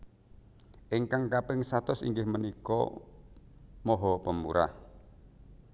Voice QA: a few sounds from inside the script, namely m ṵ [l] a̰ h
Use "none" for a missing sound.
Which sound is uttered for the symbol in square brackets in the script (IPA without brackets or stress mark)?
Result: ɾ